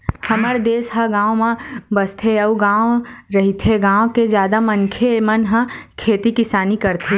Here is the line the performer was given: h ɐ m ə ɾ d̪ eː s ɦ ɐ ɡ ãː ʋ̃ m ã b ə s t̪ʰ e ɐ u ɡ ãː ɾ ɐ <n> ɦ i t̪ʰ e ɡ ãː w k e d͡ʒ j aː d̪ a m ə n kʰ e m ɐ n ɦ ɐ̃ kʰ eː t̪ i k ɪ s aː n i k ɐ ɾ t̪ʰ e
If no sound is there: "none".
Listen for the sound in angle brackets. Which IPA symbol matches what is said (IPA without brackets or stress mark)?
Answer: none